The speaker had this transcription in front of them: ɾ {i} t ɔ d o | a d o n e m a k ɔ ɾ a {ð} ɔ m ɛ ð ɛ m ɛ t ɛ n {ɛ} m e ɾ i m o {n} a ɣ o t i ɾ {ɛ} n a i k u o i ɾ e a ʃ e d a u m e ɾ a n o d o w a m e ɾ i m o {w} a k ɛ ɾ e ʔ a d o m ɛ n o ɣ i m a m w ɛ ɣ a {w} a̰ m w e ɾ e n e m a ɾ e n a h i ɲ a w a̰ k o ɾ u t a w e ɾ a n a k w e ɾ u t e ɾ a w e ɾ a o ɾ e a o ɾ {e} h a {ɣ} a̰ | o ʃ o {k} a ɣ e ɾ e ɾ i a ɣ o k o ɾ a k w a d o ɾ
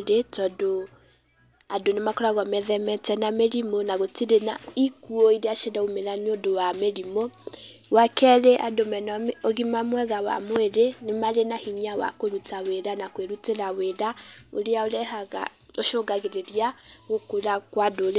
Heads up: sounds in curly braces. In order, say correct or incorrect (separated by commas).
incorrect, incorrect, incorrect, correct, incorrect, correct, correct, incorrect, correct, incorrect